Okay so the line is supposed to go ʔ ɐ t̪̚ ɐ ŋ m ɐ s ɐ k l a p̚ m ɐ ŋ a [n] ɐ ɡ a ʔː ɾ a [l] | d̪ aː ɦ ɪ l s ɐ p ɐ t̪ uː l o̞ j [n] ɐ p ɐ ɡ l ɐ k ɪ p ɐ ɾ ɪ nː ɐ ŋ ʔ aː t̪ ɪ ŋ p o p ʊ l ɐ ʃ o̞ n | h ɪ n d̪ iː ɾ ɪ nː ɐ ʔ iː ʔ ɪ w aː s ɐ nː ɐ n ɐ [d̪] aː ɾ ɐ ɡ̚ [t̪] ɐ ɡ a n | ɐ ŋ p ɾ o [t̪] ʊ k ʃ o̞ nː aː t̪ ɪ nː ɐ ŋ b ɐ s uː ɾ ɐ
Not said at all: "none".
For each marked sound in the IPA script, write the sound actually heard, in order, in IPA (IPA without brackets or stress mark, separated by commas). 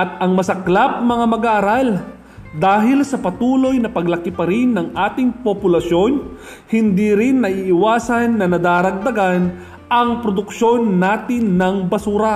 m, l, n, d̪, d̪, d̪